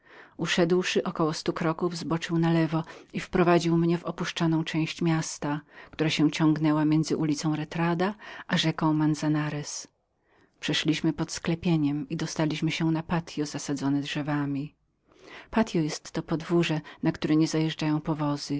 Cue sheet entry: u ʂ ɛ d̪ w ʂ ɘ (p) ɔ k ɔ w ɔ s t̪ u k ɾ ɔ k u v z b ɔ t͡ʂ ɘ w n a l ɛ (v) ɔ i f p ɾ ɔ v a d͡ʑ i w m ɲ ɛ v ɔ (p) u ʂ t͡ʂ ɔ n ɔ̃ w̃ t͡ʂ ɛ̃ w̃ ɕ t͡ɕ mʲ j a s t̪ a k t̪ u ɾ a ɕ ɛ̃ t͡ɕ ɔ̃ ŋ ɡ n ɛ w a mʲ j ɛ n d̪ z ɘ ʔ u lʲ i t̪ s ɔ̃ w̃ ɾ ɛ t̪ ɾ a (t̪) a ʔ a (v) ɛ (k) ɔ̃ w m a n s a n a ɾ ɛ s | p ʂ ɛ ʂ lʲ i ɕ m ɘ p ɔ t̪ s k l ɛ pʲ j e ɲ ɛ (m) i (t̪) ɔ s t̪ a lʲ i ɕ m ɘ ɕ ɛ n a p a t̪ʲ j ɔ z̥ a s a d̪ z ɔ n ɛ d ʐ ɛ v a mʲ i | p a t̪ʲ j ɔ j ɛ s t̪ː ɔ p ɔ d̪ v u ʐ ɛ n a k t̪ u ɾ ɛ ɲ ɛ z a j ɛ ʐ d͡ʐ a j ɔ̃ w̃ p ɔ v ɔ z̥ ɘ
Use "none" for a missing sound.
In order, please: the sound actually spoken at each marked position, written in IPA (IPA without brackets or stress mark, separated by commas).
ʔ, v, p, d̪, ʐ, k, m, d̪